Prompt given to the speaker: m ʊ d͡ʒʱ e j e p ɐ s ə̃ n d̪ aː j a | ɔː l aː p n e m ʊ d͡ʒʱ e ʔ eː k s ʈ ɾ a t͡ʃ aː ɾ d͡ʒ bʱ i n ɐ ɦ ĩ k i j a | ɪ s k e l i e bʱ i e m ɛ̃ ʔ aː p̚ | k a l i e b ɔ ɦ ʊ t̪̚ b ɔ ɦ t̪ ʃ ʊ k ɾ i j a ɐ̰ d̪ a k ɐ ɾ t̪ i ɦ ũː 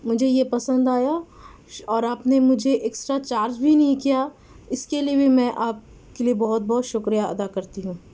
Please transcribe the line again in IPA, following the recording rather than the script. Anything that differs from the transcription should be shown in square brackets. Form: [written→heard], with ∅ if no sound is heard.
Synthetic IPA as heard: m ʊ d͡ʒʱ e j e p ɐ s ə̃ n d̪ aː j a | ɔː [l→ɾ] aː p n e m ʊ d͡ʒʱ e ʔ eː k s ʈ ɾ a t͡ʃ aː ɾ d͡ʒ bʱ i n ɐ ɦ ĩ k i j a | ɪ s k e l i e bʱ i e m ɛ̃ ʔ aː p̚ | k [a→e] l i e b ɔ ɦ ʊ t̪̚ b ɔ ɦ t̪ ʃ ʊ k ɾ i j a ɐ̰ d̪ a k ɐ ɾ t̪ i ɦ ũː